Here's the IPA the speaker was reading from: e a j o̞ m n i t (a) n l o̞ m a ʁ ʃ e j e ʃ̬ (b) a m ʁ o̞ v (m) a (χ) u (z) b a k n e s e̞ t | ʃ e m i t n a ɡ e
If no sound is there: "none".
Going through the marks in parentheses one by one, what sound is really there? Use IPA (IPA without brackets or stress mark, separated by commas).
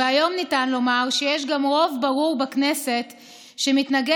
a, ɡ, b, ʁ, ʁ